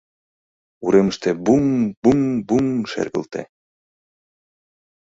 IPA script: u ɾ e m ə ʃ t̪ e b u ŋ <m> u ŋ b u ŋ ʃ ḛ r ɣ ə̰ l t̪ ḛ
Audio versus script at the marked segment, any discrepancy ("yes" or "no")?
yes